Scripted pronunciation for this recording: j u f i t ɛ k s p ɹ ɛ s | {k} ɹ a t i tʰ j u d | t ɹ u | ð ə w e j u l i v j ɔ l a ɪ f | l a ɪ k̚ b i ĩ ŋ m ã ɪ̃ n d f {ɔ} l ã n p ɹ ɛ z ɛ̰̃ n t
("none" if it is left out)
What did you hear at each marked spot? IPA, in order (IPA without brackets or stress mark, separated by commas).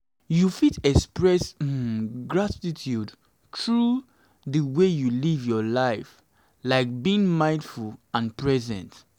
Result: ɡ, u